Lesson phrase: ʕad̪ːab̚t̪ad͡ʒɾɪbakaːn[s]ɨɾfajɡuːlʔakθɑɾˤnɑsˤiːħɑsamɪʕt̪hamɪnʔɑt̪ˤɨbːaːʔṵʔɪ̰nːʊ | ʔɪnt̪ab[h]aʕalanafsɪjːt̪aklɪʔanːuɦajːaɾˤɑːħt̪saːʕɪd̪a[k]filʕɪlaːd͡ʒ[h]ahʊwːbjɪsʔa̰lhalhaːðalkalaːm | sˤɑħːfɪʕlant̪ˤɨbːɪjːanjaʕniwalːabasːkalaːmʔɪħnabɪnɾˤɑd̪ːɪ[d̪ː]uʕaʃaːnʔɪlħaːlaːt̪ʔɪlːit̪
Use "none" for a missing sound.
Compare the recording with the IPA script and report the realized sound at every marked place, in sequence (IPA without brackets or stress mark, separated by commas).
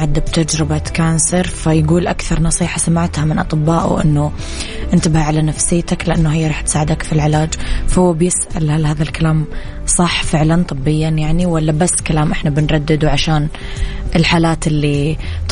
s, h, k, f, d̪